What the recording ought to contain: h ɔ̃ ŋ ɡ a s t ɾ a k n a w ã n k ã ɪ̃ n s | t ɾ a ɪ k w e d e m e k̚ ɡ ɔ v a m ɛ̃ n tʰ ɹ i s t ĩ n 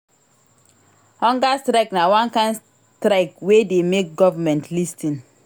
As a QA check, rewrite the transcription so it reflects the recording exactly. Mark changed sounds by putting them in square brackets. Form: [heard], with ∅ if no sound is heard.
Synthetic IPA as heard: h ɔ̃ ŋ ɡ a s t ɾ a k n a w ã n k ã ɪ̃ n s | t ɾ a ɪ k w e d e m e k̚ ɡ ɔ v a m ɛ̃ n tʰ [l] i s t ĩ n